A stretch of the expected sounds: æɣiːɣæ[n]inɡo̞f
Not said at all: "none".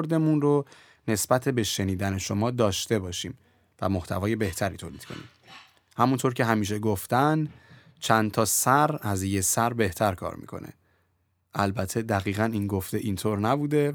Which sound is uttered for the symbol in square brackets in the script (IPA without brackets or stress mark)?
n